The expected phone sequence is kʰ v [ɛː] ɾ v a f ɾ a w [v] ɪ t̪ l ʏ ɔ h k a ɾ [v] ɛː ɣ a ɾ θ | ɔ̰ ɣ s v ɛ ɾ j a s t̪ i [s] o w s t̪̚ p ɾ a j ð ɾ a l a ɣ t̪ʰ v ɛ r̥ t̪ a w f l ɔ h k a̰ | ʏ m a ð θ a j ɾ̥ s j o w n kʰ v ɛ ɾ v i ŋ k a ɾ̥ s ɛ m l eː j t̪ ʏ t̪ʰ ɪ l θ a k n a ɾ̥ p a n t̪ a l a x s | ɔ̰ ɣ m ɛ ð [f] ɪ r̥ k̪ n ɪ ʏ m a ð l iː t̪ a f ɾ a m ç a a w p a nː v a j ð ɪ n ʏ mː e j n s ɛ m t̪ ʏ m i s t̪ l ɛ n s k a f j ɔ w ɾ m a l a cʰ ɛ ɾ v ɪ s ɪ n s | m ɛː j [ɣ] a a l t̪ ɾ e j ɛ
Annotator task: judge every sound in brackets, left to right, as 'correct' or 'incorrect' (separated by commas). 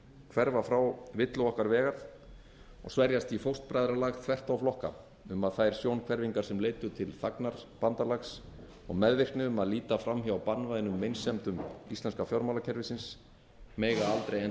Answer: incorrect, correct, correct, incorrect, incorrect, correct